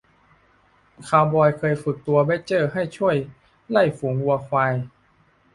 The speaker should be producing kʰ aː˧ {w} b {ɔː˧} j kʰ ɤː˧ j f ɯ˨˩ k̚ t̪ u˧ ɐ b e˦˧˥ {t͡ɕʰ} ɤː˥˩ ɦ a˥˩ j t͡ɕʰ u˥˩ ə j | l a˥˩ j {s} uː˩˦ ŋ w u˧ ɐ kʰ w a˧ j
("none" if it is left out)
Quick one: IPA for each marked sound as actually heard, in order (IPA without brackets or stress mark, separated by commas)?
w, ɔː˧, t͡ɕ, f